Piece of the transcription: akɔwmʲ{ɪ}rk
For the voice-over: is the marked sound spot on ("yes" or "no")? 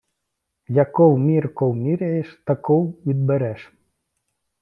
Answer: no